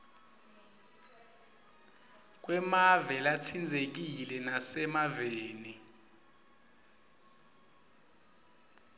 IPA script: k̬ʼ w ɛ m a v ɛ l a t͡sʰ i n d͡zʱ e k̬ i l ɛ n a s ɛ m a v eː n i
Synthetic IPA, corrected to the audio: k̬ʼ w ɛ m a v ɛ l a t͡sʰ i n d͡zʱ e k̬ i l ɛ n a s ɛ m a v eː n i